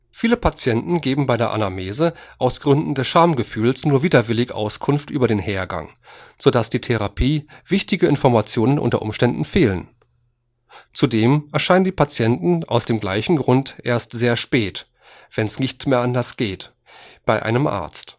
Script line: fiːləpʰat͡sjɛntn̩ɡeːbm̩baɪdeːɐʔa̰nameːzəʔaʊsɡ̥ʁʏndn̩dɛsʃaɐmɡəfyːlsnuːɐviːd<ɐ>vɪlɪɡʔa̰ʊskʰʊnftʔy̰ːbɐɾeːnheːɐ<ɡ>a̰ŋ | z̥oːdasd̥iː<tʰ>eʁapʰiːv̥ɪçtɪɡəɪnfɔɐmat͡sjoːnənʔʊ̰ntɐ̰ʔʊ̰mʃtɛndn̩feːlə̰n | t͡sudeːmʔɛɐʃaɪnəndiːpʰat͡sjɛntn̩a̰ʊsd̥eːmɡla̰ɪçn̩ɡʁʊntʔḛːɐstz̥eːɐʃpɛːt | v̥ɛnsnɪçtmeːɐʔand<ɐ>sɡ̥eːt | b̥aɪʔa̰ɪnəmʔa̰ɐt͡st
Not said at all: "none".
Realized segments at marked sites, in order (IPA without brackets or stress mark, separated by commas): ɐ, ɡ, tʰ, ɐ